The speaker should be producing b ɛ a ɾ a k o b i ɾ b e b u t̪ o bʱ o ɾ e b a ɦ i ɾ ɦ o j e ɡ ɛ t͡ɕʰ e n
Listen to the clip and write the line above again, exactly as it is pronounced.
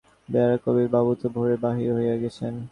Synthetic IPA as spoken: b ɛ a ɾ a k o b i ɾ b a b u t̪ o bʱ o ɾ e b a ɦ i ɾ ɦ o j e ɡ ɛ t͡ɕʰ e n